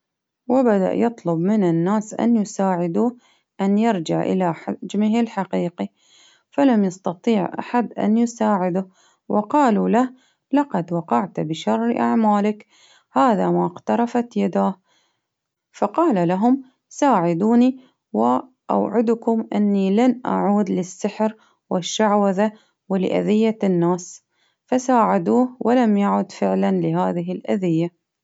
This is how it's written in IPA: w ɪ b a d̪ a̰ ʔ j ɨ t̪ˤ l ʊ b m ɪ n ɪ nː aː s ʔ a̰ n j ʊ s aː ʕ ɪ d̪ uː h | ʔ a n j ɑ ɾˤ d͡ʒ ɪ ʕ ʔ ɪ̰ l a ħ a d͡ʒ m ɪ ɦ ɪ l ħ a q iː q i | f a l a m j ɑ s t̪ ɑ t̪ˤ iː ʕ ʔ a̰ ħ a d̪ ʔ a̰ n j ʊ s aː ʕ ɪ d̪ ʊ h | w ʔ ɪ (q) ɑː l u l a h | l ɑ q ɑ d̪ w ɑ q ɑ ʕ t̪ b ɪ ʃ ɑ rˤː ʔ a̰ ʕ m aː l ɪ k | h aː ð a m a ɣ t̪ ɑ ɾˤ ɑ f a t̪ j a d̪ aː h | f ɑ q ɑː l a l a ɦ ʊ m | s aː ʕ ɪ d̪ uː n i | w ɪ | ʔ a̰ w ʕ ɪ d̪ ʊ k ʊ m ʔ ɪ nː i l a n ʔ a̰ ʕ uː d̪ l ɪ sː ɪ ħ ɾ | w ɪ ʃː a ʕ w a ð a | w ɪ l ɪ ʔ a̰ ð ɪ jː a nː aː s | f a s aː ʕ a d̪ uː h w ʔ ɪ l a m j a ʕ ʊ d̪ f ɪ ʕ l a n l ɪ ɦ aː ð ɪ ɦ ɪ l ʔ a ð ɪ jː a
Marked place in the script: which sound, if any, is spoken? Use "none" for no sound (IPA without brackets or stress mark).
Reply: q